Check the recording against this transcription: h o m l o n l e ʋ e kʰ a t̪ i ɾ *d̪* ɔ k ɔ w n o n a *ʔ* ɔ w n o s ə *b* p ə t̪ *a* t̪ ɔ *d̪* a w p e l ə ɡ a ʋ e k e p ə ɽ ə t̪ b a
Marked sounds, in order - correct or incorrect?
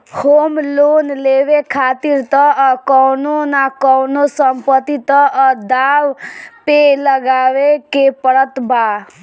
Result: incorrect, incorrect, incorrect, incorrect, correct

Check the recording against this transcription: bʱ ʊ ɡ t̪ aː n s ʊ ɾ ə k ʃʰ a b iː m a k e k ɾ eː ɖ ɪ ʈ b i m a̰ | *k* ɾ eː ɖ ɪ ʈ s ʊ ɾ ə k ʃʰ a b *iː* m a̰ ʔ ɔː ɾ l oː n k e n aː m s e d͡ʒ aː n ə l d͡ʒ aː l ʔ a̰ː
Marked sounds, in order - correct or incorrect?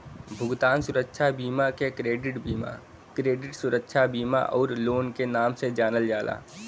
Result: correct, correct

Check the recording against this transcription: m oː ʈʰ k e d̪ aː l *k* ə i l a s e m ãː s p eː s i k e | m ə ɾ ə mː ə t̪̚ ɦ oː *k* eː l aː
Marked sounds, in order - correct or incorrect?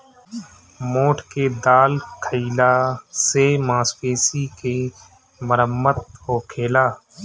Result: incorrect, incorrect

